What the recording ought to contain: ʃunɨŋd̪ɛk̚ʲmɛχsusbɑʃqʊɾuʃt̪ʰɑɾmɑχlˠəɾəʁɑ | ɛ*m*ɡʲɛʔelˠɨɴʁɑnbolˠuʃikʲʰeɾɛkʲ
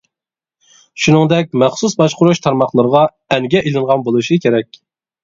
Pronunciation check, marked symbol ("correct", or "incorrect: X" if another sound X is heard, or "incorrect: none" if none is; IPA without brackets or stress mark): incorrect: ŋ